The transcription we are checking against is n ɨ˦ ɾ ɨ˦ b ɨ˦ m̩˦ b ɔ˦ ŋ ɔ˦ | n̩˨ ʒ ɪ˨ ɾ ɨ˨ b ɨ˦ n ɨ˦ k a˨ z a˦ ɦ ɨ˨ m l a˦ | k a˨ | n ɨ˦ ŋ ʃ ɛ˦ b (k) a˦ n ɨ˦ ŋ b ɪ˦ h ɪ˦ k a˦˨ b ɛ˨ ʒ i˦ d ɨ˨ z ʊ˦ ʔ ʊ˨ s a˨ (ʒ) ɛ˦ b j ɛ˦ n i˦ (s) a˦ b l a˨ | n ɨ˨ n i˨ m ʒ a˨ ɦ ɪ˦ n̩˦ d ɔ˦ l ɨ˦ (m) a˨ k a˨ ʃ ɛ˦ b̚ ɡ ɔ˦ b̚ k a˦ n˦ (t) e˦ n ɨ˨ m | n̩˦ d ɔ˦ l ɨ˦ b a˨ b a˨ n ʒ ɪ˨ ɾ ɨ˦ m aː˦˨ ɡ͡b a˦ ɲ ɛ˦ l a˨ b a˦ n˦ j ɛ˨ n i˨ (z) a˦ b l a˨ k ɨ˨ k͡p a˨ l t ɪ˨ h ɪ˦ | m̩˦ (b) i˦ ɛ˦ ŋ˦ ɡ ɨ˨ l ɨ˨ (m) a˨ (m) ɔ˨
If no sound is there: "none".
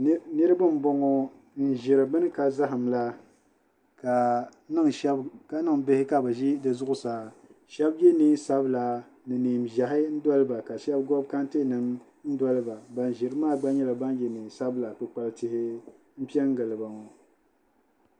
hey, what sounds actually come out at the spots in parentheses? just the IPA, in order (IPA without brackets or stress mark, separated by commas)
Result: k, ʃ, s, b, t, s, p, b, ŋ